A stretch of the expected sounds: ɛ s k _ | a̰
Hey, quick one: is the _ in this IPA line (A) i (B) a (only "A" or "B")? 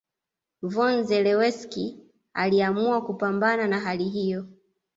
A